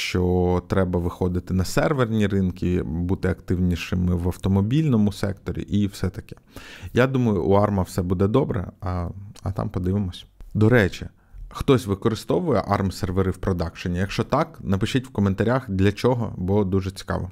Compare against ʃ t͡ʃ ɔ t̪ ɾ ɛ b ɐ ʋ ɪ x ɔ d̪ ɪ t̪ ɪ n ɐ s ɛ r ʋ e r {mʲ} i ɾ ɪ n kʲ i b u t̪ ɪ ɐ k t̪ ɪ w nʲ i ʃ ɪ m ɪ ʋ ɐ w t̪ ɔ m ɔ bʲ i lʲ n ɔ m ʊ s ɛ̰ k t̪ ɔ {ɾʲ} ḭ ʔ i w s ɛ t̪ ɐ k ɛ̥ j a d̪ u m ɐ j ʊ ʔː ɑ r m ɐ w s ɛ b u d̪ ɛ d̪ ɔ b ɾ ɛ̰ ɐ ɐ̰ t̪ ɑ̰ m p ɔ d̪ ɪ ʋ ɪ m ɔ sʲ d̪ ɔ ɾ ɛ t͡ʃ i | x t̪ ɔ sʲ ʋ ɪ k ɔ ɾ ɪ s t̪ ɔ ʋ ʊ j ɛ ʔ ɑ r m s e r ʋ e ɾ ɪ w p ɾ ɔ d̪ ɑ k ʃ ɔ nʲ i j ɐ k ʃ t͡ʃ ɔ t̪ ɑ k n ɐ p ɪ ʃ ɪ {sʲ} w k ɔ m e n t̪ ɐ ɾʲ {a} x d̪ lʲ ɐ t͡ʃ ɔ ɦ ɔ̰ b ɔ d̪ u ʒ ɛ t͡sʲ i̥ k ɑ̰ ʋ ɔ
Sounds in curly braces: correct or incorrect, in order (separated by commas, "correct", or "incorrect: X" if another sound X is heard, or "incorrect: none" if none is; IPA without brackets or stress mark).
incorrect: nʲ, correct, incorrect: tʲ, correct